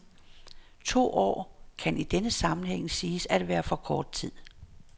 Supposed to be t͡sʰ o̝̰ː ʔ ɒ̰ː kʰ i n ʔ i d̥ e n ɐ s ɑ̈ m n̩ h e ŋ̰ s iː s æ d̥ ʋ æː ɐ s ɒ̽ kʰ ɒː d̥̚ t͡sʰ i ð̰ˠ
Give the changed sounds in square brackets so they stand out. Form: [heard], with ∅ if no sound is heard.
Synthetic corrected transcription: t͡sʰ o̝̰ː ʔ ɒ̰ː kʰ [æ] n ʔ i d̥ e n [ə] s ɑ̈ m n̩ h e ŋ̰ s iː s æ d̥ ʋ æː ɐ [f] ɒ̽ kʰ ɒː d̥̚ t͡sʰ i ð̰ˠ